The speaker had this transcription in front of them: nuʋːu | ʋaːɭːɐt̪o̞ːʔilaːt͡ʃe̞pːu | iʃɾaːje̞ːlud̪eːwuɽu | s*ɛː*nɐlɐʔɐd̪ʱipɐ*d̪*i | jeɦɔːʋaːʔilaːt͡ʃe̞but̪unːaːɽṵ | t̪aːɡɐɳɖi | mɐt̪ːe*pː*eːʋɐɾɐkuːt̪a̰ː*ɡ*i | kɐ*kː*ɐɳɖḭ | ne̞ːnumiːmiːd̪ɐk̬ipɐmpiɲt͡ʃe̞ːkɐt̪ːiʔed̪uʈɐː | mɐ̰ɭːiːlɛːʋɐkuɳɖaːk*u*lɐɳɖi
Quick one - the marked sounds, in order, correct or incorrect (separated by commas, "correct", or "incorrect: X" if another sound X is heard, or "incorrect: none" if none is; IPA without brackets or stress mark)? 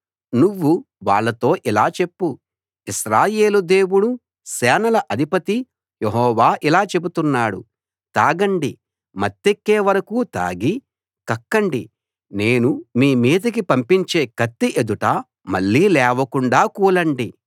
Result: correct, incorrect: t̪, incorrect: kː, correct, correct, incorrect: uː